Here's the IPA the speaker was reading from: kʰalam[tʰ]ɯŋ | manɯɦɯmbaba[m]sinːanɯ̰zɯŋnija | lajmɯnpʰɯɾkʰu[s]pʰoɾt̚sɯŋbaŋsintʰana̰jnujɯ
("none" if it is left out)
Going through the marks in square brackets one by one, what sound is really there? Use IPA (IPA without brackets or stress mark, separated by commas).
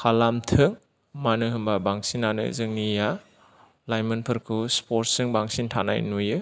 tʰ, ŋ, s